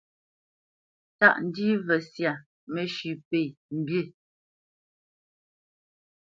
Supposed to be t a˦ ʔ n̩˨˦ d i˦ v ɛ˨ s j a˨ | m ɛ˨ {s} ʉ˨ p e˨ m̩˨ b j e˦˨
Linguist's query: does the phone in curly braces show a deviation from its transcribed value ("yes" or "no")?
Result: yes